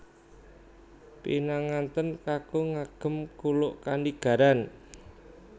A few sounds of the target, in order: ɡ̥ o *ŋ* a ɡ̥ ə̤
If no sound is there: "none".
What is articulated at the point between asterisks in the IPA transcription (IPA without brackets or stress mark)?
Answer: ŋ